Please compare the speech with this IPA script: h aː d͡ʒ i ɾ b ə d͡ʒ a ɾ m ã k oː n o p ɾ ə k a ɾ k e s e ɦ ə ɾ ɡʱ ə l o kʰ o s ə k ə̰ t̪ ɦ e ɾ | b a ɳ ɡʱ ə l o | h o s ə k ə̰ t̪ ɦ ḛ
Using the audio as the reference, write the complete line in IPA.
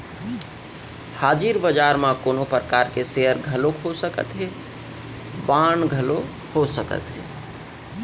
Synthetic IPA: h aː d͡ʒ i ɾ b ə d͡ʒ a ɾ m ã k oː n o p ɾ ə k a ɾ k e s e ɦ ə ɾ ɡʱ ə l o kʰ o s ə k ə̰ t̪ ɦ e | b a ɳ ɡʱ ə l o | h o s ə k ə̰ t̪ ɦ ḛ